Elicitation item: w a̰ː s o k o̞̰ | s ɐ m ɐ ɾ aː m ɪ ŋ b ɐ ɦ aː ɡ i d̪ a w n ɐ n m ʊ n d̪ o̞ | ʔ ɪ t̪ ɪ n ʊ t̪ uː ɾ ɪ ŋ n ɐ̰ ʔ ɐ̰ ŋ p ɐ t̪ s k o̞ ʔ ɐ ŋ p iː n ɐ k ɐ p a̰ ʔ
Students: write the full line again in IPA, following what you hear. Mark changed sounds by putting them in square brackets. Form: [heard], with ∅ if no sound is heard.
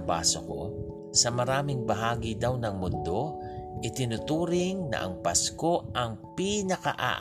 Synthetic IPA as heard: [b] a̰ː s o k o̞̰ | s ɐ m ɐ ɾ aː m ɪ ŋ b ɐ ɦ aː ɡ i d̪ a w n ɐ [ŋ] m ʊ n d̪ o̞ | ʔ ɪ t̪ ɪ n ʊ t̪ uː ɾ ɪ ŋ n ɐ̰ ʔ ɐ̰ ŋ p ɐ [∅] s k o̞ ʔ ɐ ŋ p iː n ɐ k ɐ [ʔ] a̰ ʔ